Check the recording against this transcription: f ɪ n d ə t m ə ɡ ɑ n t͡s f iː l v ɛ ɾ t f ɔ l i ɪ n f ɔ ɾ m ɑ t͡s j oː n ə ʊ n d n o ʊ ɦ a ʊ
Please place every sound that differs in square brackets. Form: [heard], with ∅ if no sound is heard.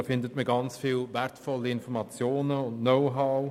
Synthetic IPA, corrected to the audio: f ɪ n d ə t m ə ɡ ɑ n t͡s f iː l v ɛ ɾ t f ɔ l i ɪ n f ɔ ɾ m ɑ t͡s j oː n ə ʊ n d n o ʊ ɦ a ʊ